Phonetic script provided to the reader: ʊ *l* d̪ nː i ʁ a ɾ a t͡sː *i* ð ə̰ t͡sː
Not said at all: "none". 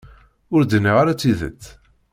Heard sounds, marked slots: ɾ, i

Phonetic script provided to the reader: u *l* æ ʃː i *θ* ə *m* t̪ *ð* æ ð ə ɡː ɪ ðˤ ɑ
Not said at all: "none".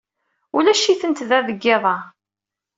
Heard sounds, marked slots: l, θ, n, ð

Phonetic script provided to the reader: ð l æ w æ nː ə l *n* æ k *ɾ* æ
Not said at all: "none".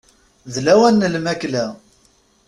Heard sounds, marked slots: m, l

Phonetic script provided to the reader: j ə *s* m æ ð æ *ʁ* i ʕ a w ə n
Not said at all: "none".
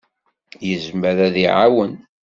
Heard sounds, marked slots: z, ð

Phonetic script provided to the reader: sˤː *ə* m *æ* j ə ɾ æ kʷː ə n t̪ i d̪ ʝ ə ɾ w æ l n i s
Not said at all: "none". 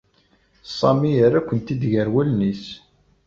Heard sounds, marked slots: ɑ, i

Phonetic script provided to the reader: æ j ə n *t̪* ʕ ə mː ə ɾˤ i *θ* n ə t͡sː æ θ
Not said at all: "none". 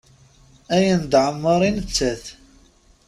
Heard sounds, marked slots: d̪, none

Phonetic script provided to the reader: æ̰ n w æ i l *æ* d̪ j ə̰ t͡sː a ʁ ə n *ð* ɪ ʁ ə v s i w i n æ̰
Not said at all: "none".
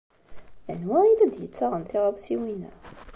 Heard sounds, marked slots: æ, θ

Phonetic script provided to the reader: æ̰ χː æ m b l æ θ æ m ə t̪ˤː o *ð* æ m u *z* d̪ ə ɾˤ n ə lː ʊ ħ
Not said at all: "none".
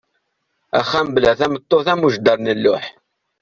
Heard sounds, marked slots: θ, ʒ

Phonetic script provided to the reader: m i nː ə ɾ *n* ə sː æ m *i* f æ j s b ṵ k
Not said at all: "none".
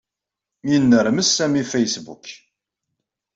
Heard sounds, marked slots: m, i

